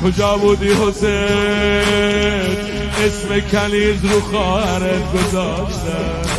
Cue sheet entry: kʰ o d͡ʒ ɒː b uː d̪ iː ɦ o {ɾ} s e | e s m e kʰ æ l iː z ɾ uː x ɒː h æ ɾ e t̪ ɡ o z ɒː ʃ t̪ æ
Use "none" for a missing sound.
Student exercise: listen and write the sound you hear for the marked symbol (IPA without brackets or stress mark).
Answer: none